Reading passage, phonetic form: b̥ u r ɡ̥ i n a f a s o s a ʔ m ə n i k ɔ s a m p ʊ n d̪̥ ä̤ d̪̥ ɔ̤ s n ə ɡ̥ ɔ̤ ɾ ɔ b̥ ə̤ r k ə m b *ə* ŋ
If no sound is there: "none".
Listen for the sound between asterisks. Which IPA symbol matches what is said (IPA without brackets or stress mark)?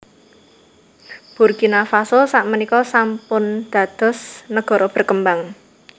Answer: a